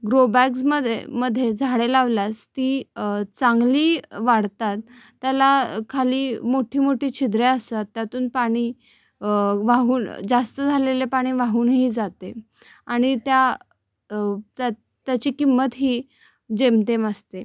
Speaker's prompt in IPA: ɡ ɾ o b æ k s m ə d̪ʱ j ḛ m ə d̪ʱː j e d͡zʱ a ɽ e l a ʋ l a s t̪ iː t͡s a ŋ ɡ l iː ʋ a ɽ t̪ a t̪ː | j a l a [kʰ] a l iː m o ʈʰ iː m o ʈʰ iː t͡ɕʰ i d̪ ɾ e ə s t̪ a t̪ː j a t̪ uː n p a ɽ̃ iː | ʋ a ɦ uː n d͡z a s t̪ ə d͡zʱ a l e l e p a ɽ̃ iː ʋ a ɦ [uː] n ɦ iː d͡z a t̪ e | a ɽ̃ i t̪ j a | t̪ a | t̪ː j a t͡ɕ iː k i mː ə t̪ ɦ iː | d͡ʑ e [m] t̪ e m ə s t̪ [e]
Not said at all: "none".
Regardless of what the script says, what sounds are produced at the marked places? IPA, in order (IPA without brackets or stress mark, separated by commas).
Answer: kʰ, uː, m, e